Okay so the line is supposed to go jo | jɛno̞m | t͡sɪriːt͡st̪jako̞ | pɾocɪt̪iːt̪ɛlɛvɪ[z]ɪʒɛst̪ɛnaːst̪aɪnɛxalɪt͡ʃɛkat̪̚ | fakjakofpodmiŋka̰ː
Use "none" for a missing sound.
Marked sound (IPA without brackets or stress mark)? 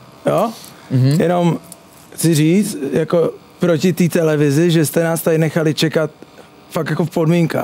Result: z